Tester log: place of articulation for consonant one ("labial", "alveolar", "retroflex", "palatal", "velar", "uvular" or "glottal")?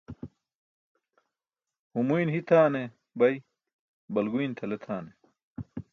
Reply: glottal